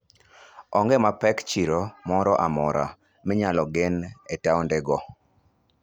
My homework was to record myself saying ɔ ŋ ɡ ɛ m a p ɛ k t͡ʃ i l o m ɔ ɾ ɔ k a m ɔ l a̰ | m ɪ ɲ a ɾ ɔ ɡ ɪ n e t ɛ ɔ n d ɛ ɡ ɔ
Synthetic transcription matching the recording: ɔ ŋ ɡ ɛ m a p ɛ k t͡ʃ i ɾ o m ɔ ɾ ɔ ʔ a m ɔ ɾ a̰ | m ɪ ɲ a l ɔ ɡ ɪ n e t a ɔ n d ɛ ɡ ɔ